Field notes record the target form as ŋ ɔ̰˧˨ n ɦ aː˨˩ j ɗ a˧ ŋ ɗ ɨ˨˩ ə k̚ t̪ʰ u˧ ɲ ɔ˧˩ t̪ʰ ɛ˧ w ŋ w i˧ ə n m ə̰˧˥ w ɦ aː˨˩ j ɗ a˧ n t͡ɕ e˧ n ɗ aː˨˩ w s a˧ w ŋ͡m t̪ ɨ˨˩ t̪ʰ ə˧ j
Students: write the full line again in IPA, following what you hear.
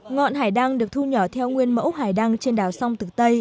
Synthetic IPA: ŋ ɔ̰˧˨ n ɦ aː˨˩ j ɗ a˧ ŋ ɗ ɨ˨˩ ə k̚ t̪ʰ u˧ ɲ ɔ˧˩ t̪ʰ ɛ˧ w ŋ w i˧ ə n m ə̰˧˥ w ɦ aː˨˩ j ɗ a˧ ŋ t͡ɕ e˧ n ɗ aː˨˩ w s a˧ w ŋ͡m t̪ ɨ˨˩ t̪ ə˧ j

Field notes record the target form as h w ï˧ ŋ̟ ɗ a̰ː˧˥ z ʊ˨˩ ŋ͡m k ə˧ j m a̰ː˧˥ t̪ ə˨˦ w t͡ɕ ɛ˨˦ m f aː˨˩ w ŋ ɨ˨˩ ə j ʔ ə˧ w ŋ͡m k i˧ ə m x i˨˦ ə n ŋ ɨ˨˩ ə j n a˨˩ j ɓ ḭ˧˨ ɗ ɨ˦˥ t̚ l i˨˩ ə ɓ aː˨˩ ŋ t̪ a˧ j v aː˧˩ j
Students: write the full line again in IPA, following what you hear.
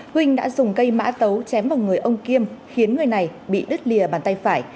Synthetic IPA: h w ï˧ ŋ̟ ɗ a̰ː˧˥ z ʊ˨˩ ŋ͡m k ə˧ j m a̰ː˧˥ t̪ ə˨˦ w t͡ɕ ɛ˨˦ m v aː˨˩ w ŋ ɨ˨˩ ə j ʔ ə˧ w ŋ͡m k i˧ ə m x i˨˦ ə n ŋ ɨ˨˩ ə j n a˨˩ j ɓ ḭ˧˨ ɗ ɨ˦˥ t̚ l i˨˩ ə ɓ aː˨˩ n t̪ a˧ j f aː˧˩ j

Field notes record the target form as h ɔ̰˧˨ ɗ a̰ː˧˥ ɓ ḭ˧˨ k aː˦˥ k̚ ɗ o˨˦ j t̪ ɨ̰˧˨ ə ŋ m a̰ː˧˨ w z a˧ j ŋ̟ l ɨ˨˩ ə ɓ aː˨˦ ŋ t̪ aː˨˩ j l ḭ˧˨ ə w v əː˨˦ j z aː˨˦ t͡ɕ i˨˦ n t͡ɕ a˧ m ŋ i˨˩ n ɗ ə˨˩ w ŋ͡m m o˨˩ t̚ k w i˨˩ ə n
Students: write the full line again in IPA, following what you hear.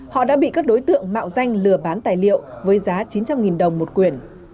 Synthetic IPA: h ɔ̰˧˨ ɗ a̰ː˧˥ ɓ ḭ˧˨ k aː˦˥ k̚ ɗ o˨˦ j t̪ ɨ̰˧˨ ə ŋ m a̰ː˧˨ w z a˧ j ŋ̟ l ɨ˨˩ ə ɓ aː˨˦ n t̪ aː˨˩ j l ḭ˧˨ ə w v əː˨˦ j z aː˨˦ t͡ɕ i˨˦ n t͡ɕ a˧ m ŋ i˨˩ n ɗ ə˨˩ w ŋ͡m m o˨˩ t̚ k w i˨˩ ə n

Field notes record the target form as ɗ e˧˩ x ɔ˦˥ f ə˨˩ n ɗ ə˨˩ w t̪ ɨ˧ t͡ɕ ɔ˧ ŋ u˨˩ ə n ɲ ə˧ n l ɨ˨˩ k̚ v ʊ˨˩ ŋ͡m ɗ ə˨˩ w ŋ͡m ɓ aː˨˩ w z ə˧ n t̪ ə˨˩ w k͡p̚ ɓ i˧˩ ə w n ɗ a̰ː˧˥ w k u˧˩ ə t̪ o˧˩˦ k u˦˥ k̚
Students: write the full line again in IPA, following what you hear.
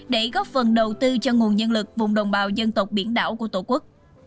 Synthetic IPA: ɗ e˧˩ ɣ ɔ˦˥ f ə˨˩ n ɗ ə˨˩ w t̪ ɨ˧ t͡ɕ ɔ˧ ŋ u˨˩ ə n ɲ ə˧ n l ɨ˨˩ k̚ v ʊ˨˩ ŋ͡m ɗ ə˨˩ w ŋ͡m ɓ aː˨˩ w z ə˧ n t̪ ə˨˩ w k͡p̚ ɓ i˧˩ ə n ɗ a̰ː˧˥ w k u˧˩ ə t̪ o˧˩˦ k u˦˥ k̚

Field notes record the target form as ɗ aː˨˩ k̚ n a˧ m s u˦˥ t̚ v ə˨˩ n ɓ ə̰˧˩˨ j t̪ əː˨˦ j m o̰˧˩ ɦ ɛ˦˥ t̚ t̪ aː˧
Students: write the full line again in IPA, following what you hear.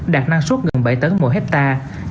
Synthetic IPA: ɗ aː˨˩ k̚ n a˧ ŋ s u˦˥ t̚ ɣ ə˨˩ n ɓ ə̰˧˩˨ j t̪ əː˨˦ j m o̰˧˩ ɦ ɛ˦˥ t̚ t̪ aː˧

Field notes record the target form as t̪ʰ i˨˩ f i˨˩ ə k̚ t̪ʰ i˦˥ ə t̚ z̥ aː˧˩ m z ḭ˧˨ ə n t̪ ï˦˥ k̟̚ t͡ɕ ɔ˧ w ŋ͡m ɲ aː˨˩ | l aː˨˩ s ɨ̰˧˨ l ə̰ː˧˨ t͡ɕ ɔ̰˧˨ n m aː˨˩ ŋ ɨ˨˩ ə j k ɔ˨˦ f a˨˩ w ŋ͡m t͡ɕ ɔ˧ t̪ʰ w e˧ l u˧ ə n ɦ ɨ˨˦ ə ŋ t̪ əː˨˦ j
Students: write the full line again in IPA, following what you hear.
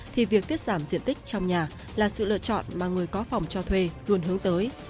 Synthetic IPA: t̪ʰ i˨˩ v i˨˩ ə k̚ t̪ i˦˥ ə t̚ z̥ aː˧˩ m z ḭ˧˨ ə n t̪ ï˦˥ k̟̚ t͡ɕ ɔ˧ w ŋ͡m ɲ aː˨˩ | l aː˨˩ s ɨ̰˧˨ l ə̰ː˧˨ t͡ɕ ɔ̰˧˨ n m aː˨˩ ŋ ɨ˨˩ ə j k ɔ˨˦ f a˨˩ w ŋ͡m t͡ɕ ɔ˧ t̪ʰ w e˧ l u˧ ə n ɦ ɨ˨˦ ə ŋ t̪ əː˨˦ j

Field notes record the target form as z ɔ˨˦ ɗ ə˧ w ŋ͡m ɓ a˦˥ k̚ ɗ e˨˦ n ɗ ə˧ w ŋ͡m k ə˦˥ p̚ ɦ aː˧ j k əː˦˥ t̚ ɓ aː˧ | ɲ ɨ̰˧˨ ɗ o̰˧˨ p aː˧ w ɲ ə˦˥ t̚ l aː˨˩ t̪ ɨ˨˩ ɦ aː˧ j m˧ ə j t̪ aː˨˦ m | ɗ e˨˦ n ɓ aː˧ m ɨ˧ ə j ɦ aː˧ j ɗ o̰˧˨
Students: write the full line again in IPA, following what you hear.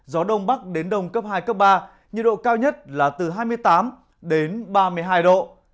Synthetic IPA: z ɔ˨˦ ɗ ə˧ w ŋ͡m ɓ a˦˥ k̚ ɗ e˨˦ n ɗ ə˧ w ŋ͡m k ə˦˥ p̚ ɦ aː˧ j k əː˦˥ p̚ ɓ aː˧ | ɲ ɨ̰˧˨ ɗ o̰˧˨ k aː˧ w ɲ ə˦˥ t̚ l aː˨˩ t̪ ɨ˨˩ ɦ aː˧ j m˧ ə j t̪ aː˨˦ m | ɗ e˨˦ n ɓ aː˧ m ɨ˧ ə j ɦ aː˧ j ɗ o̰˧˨

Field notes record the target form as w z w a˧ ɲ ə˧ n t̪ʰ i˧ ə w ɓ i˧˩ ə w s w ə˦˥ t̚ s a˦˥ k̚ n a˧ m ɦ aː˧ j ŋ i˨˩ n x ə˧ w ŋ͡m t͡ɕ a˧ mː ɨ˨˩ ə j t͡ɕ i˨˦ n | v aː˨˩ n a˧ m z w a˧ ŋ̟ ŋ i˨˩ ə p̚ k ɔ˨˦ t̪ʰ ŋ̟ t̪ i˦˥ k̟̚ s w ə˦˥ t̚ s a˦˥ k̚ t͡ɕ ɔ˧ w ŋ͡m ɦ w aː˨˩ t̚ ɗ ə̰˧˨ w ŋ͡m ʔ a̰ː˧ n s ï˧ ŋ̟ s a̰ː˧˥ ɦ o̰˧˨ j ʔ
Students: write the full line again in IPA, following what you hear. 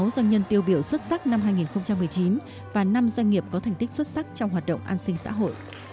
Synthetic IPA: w z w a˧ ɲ ə˧ n t̪ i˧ ə w ɓ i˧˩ ə w s w ə˦˥ t̚ s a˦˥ k̚ n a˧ m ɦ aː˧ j ŋ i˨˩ n x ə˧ w ŋ͡m t͡ɕ a˧ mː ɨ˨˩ ə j t͡ɕ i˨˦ n | v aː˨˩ n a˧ m z w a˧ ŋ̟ ŋ i˨˩ ə p̚ k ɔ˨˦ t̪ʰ ŋ̟ t̪ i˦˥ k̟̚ s w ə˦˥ t̚ s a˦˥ k̚ t͡ɕ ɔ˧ w ŋ͡m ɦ w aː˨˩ t̚ ɗ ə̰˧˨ w ŋ͡m ʔ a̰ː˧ n s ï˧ ŋ̟ s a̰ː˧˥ ɦ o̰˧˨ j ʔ

